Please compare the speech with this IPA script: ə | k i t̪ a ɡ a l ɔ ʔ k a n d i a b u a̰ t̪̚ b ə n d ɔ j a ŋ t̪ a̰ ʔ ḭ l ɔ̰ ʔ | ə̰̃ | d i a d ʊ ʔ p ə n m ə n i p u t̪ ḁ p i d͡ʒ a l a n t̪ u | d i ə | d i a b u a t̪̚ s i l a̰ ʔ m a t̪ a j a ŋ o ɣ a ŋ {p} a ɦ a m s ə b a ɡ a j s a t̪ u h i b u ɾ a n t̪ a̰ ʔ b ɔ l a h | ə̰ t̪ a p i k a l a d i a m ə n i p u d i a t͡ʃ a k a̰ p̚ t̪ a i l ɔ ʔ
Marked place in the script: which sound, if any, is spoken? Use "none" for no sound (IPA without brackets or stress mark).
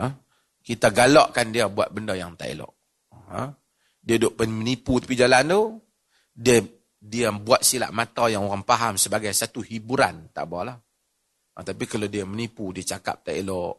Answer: p